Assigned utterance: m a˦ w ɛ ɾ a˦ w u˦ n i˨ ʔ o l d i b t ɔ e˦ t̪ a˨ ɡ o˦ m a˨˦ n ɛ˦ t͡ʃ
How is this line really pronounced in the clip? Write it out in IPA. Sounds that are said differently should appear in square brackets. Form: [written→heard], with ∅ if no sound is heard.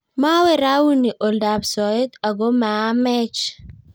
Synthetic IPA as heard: m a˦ w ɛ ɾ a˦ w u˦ n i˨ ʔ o l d [i→a] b [t→s] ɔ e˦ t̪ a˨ ɡ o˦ m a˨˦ [n→m] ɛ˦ t͡ʃ